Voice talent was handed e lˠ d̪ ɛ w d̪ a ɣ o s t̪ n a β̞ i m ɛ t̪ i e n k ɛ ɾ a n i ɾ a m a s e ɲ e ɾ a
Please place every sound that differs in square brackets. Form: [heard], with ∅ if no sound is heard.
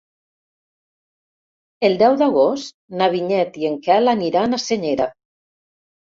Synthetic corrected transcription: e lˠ d̪ ɛ w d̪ a ɣ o s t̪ n a β̞ i [ɲ] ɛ t̪ i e [ŋ] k ɛ [l] a n i ɾ a [n] a s e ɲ e ɾ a